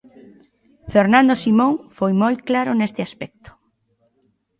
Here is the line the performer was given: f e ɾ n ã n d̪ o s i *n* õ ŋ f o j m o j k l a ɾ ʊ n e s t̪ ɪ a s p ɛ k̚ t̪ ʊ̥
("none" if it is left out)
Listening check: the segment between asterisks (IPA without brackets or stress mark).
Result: m